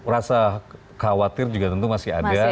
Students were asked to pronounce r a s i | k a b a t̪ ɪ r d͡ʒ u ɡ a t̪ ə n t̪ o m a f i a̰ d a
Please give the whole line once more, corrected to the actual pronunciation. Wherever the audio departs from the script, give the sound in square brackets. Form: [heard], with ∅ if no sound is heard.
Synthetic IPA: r a s [a] | k a [w] a t̪ ɪ r d͡ʒ u ɡ a t̪ ə n t̪ [u] m a [s] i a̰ d a